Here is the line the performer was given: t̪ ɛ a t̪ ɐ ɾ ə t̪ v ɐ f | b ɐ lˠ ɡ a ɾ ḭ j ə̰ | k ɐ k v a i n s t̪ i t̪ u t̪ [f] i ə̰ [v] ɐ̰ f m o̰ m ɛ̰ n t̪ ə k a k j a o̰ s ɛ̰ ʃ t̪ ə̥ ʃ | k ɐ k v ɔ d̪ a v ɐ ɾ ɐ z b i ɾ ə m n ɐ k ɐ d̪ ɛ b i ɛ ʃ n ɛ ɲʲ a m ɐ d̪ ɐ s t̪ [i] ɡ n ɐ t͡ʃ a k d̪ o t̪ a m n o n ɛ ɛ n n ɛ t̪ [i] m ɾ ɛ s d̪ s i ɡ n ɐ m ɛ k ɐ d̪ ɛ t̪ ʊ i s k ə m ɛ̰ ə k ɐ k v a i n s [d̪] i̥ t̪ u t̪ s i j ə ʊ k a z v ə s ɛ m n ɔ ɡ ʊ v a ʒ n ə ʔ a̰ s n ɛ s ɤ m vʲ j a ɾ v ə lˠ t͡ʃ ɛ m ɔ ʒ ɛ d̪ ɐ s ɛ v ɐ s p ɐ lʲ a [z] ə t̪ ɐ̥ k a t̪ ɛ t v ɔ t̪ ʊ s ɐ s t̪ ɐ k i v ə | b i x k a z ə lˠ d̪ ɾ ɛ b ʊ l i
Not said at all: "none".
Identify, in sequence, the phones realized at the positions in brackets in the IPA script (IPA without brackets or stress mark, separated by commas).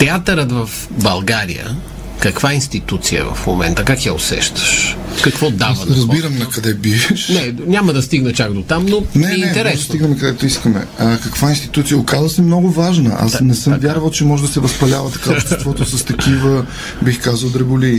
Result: s, v, i, ɛ, t̪, v